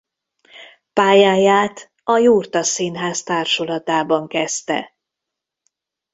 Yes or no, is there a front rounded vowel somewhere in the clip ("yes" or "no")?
no